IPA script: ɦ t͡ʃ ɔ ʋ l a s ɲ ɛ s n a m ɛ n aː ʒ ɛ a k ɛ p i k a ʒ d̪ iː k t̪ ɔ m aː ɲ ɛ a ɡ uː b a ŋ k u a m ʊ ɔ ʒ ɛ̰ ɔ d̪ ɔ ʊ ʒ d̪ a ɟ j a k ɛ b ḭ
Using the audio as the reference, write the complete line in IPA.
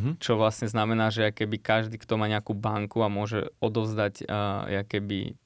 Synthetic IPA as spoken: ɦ t͡ʃ ɔ ʋ l a s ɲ ɛ z n a m ɛ n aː ʒ ɛ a k ɛ b i k a ʒ d̪ iː k t̪ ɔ m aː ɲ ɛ a k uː b a ŋ k u a m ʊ ɔ ʒ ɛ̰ ɔ d̪ ɔ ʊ z d̪ a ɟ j a k ɛ b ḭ